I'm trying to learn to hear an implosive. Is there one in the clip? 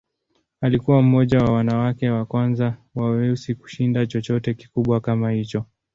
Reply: yes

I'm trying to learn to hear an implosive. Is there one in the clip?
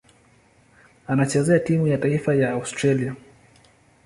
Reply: no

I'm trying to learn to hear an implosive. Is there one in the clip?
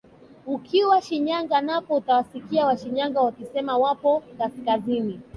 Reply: no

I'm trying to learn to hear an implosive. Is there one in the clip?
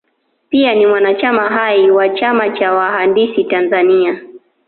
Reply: no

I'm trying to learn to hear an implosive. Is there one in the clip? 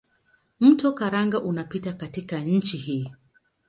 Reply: no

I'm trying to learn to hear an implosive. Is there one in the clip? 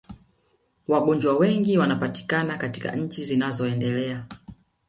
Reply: no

